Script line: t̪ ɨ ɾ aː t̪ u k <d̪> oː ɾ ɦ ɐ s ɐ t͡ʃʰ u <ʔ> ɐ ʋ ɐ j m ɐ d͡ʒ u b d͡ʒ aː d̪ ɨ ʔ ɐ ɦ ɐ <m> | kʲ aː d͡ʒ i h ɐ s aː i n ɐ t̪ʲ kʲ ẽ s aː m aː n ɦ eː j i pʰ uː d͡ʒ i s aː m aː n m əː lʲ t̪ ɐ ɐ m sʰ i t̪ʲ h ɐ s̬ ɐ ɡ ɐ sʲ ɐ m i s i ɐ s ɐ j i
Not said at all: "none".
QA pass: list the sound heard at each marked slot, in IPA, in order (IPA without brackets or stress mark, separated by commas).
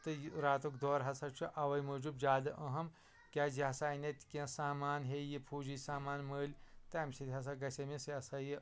d̪, ʔ, m